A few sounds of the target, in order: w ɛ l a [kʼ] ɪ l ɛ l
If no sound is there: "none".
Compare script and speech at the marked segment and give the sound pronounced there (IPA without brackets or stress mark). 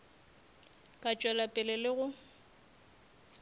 pʼ